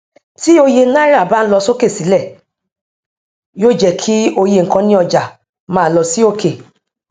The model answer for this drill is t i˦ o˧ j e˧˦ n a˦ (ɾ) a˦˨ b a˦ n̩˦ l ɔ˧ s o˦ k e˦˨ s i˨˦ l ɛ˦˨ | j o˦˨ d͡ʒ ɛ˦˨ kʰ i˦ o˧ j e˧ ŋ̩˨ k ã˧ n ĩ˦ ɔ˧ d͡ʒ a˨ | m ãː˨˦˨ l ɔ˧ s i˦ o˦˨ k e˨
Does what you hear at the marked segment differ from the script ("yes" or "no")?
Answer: no